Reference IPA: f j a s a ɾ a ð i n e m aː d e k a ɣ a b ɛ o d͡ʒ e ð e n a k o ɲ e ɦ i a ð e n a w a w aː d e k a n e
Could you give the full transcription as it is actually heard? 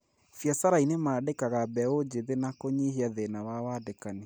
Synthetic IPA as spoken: f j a s a ɾ a i n e m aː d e k a ɣ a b ɛ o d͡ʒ e ð e n a k o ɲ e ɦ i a ð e n a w a w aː d e k a n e